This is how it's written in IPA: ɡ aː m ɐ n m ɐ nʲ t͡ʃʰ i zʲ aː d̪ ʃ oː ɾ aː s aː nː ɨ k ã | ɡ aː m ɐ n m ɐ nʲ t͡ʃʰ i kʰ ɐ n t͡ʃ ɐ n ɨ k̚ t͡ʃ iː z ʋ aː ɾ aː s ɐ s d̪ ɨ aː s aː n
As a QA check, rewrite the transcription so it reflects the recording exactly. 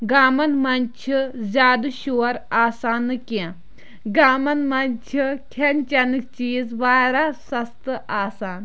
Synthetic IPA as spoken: ɡ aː m ɐ n m ɐ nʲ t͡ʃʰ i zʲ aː d̪ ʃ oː ɾ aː s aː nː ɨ k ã | ɡ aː m ɐ n m ɐ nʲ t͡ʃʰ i kʰ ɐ n t͡ʃ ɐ n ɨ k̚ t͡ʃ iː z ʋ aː ɾ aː s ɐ s t̪ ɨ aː s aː n